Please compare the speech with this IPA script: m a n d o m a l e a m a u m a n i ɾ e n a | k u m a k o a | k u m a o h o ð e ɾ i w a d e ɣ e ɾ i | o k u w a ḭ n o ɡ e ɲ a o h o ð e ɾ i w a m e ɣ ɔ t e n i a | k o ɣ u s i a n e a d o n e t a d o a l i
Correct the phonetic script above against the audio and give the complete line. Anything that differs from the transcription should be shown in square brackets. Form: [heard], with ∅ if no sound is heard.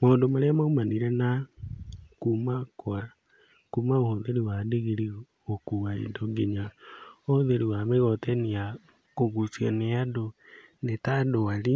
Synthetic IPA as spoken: m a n d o m a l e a m a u m a n i ɾ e n a | k u m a k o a | k u m a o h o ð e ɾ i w a d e ɣ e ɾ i | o k u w a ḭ [d] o ɡ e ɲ a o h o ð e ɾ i w a m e ɣ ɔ t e n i a | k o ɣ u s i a n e a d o n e t a d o a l i